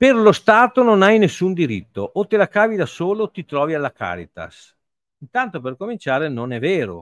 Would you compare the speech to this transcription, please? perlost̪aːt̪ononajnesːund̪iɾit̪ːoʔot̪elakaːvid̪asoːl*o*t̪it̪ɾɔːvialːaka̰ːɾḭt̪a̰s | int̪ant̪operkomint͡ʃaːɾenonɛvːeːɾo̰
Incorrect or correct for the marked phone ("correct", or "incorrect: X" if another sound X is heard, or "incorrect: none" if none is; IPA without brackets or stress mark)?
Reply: correct